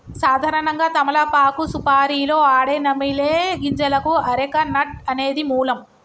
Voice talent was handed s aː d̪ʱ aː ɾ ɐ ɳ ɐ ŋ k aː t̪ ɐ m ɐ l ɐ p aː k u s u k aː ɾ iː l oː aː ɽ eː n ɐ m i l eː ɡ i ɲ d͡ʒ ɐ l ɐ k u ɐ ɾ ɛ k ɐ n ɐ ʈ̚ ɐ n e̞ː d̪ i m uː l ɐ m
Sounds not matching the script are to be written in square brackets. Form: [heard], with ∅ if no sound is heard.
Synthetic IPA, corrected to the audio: s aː d̪ʱ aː ɾ ɐ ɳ ɐ ŋ [ɡ] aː t̪ ɐ m ɐ l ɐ p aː k u s u [p] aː ɾ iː l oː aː ɽ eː n ɐ m i l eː ɡ i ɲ d͡ʒ ɐ l ɐ k u ɐ ɾ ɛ k ɐ n ɐ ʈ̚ ɐ n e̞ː d̪ i m uː l ɐ m

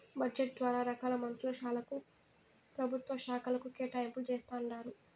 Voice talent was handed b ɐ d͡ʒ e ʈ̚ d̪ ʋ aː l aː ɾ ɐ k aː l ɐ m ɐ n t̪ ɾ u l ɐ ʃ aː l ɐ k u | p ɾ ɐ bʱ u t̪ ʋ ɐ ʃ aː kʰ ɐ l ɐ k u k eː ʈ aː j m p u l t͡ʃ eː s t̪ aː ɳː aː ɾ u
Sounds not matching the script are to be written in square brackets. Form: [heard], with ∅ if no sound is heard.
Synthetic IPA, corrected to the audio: b ɐ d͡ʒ e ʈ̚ d̪ ʋ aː [ɾ] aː ɾ ɐ k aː l ɐ m ɐ n t̪ ɾ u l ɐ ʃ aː l ɐ k u | p ɾ ɐ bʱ u t̪ ʋ ɐ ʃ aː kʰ ɐ l ɐ k u k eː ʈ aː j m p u l t͡ʃ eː s t̪ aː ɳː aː ɾ u

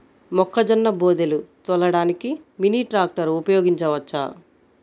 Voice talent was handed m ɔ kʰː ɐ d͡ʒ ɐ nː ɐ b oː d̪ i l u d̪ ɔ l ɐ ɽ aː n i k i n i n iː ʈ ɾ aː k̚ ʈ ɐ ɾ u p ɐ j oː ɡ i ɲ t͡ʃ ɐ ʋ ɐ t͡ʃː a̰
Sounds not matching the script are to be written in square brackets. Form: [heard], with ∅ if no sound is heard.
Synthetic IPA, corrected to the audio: m ɔ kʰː ɐ d͡ʒ ɐ nː ɐ b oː d̪ [e] l u [t̪] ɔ l ɐ ɽ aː n i k i [m] i n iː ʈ ɾ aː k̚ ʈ ɐ ɾ u p ɐ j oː ɡ i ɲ t͡ʃ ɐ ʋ ɐ t͡ʃː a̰

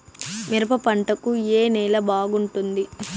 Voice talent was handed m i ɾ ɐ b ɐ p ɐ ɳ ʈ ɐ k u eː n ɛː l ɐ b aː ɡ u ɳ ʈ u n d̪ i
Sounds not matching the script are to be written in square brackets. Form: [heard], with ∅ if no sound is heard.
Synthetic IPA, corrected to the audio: m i ɾ ɐ [p] ɐ p ɐ ɳ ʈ ɐ k u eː n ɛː l ɐ b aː ɡ u ɳ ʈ u n d̪ i

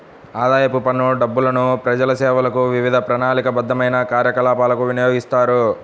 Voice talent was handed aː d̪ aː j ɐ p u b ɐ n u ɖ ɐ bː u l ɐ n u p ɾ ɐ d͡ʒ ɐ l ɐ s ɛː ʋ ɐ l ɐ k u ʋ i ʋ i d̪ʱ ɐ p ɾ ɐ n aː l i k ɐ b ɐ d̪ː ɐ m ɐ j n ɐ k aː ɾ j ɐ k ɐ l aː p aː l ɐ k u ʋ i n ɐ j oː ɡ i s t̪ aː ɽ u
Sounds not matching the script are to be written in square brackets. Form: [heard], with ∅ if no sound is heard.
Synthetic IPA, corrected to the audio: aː d̪ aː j ɐ p u [p] ɐ n u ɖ ɐ bː u l ɐ n u p ɾ ɐ d͡ʒ ɐ l ɐ s ɛː ʋ ɐ l ɐ k u ʋ i ʋ i d̪ʱ ɐ p ɾ ɐ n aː l i k ɐ b ɐ d̪ː ɐ m ɐ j n ɐ k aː ɾ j ɐ k ɐ l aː p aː l ɐ k u ʋ i n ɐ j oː ɡ i s t̪ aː [ɾ] u

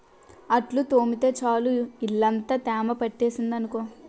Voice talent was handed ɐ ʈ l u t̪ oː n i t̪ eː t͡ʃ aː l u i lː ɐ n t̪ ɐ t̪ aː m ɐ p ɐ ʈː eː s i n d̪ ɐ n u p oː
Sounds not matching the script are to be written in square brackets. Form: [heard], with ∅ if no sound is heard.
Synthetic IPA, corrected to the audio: ɐ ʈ l u t̪ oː [m] i t̪ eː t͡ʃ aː l u i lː ɐ n t̪ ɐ t̪ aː m ɐ p ɐ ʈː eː s i n d̪ ɐ n u [k] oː

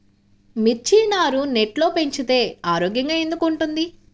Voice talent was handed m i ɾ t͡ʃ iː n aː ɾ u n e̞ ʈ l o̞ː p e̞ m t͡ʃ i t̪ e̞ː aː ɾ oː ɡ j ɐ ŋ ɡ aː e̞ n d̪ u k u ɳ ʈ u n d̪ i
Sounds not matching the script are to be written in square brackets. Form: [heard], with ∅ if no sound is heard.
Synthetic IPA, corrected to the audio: m i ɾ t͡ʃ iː n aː ɾ u n e̞ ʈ l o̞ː p e̞ [ɲ] t͡ʃ i t̪ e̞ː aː ɾ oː ɡ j ɐ ŋ ɡ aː e̞ n d̪ u k u ɳ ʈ u n d̪ i

